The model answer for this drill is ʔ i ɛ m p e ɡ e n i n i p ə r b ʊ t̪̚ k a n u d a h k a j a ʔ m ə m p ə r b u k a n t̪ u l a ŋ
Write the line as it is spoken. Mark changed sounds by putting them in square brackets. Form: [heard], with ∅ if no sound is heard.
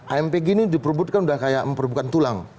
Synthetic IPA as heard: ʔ [a] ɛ m p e ɡ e n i [d] i p ə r b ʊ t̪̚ k a n u d a h k a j a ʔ m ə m p ə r b u k a n t̪ u l a ŋ